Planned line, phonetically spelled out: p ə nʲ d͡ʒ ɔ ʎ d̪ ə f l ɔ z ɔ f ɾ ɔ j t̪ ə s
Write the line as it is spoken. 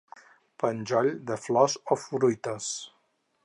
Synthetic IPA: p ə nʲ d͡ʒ ɔ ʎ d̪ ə f l ɔ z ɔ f ɾ u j t̪ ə s